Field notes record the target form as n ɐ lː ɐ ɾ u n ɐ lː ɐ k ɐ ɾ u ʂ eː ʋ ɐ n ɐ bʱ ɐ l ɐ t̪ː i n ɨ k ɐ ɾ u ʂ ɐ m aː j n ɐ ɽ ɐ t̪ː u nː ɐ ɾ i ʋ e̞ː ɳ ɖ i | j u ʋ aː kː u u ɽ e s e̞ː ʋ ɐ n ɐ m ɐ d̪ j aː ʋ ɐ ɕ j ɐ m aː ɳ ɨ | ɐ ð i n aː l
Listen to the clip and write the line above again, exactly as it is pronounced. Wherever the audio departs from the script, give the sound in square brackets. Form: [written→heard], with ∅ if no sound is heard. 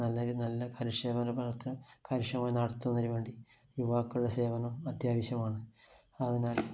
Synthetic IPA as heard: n ɐ lː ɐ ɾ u n ɐ lː ɐ k ɐ ɾ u ʂ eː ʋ ɐ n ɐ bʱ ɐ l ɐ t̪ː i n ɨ k ɐ ɾ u ʂ ɐ m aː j n ɐ ɽ ɐ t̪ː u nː ɐ ɾ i ʋ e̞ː ɳ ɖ i | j u ʋ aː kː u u ɽ e s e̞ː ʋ ɐ n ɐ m ɐ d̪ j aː ʋ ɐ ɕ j ɐ m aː ɳ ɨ | ɐ ð i n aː l

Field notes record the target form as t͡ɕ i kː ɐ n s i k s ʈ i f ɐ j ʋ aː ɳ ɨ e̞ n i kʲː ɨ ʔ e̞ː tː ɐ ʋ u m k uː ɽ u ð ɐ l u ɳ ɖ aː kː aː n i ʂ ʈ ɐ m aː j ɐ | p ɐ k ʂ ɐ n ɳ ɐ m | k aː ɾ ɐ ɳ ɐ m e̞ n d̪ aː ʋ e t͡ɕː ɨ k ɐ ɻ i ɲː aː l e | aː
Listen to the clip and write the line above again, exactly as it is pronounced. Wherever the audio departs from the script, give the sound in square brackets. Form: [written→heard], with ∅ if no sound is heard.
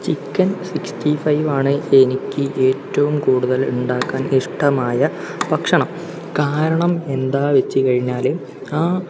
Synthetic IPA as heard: t͡ɕ i kː ɐ n s i k s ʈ i f ɐ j ʋ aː ɳ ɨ e̞ n i kʲː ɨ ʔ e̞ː tː ɐ ʋ u m k uː ɽ u ð ɐ l u ɳ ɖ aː kː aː n i ʂ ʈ ɐ m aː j ɐ | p ɐ k ʂ ɐ [n→∅] ɳ ɐ m | k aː ɾ ɐ ɳ ɐ m e̞ n d̪ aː ʋ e t͡ɕː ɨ k ɐ ɻ i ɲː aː l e | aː

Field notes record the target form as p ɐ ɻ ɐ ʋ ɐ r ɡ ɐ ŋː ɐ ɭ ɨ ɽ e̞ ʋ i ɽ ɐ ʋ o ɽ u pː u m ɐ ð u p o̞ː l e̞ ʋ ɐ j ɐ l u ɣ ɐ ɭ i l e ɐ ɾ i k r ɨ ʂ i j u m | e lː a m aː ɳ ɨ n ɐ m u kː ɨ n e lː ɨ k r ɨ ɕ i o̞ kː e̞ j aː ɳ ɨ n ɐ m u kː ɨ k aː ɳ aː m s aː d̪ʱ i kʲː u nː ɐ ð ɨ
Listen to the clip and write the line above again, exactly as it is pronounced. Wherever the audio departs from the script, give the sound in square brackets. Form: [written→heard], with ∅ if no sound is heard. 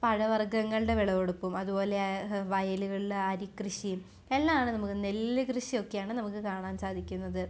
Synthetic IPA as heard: p ɐ ɻ ɐ ʋ ɐ r ɡ ɐ ŋː ɐ ɭ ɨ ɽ e̞ ʋ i [ɽ→ɭ] ɐ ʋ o ɽ u pː u m ɐ ð u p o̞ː l e̞ ʋ ɐ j ɐ l u ɣ ɐ ɭ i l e ɐ ɾ i k r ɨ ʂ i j u m | e lː a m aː ɳ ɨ n ɐ m u kː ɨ n e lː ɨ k r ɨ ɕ i o̞ kː e̞ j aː ɳ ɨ n ɐ m u kː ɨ k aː ɳ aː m s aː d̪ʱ i kʲː u nː ɐ ð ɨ

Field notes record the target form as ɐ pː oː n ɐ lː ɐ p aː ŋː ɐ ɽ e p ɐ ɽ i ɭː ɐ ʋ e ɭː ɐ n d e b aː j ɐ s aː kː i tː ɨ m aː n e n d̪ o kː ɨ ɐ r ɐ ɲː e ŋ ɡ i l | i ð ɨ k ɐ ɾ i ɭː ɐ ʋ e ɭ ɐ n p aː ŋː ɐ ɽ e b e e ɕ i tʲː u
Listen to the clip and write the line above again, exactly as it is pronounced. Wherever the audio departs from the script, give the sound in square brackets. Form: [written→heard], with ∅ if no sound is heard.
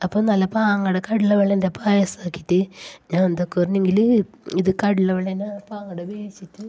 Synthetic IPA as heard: ɐ pː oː n ɐ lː ɐ p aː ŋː ɐ ɽ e [p→k] ɐ ɽ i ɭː ɐ ʋ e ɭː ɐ n d e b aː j ɐ s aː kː i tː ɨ [m→ɲ] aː n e n d̪ o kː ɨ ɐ r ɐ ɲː e ŋ ɡ i l | i ð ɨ k ɐ [ɾ→ɽ] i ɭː ɐ ʋ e ɭ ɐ n p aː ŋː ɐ ɽ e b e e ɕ i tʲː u

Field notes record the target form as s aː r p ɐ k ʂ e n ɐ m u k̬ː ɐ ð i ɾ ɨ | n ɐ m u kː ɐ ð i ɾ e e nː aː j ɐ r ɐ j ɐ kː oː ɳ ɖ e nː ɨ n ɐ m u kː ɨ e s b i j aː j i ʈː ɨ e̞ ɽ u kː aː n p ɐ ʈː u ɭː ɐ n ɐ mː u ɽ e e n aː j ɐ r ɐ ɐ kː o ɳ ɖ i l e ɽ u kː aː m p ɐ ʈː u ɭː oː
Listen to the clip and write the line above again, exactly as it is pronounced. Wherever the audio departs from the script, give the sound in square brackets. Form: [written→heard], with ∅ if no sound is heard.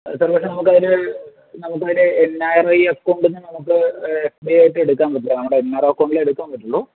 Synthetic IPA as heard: s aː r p ɐ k ʂ e n ɐ m u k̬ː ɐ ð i ɾ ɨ | n ɐ m u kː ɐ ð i ɾ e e nː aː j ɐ r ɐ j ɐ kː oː ɳ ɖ e nː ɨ n ɐ m u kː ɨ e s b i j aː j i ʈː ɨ e̞ ɽ u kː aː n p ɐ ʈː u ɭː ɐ n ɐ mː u ɽ e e [n→nː] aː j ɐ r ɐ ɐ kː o ɳ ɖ i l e ɽ u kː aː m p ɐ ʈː u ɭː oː

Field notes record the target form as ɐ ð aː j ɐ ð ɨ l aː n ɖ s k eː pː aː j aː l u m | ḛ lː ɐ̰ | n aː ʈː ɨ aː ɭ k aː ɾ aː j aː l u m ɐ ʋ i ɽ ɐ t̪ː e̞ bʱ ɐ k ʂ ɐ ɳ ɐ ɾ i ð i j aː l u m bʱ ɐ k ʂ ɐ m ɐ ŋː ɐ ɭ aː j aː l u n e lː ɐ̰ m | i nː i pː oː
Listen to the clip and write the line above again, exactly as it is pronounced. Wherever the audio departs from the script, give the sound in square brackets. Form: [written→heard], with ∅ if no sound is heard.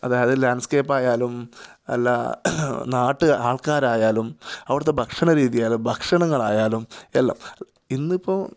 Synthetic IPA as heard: ɐ ð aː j ɐ ð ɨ l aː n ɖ s k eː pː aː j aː l u m | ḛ lː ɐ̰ | n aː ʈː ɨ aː ɭ k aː ɾ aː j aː l u m ɐ ʋ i ɽ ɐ t̪ː e̞ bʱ ɐ k ʂ ɐ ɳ ɐ ɾ [i→iː] ð i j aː l u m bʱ ɐ k ʂ ɐ [m→ɳ] ɐ ŋː ɐ ɭ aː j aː l u [n→m] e lː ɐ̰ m | i nː i pː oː

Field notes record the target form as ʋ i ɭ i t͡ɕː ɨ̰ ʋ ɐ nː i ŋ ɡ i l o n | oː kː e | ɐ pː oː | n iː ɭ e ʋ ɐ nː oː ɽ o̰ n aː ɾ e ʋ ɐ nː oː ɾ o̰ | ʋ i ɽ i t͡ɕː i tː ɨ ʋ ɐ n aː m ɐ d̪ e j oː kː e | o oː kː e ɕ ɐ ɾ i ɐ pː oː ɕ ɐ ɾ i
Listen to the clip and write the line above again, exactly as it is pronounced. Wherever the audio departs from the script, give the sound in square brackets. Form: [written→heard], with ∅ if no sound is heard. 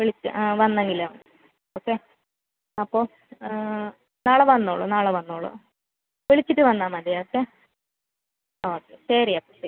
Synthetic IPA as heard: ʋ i ɭ i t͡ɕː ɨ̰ ʋ ɐ nː [i→e] ŋ ɡ i l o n | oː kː e | ɐ pː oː | n [iː→aː] ɭ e ʋ ɐ nː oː [ɽ→ɭ] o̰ n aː [ɾ→ɭ] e ʋ ɐ nː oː [ɾ→ɭ] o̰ | ʋ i [ɽ→ɭ] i t͡ɕː i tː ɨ ʋ ɐ [n→nː] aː m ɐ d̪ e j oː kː e | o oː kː e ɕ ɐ ɾ i ɐ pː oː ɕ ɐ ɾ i

